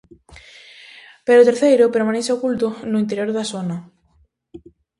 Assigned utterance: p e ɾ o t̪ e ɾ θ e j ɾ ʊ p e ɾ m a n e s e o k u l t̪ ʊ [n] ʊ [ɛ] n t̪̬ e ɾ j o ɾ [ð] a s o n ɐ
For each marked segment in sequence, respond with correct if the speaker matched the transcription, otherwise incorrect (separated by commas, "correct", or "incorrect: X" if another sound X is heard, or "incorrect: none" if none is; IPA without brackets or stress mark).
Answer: correct, incorrect: i, correct